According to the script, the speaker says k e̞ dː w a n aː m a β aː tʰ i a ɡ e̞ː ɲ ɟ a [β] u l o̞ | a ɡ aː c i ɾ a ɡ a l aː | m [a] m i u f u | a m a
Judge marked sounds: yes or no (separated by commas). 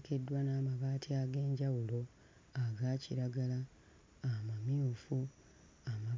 no, yes